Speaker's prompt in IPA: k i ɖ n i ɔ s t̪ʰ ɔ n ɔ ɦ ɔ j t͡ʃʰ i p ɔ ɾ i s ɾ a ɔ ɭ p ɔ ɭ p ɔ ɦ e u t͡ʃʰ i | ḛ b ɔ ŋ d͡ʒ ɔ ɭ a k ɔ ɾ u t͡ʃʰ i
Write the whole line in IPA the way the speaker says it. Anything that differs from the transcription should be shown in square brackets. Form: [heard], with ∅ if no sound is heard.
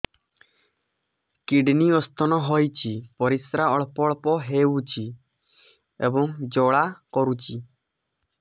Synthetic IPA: k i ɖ n i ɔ s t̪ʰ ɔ n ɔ ɦ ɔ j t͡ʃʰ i p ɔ ɾ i s ɾ a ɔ ɭ p ɔ ɭ p ɔ ɦ e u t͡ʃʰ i | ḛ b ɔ ŋ d͡ʒ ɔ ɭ a k ɔ ɾ u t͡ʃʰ i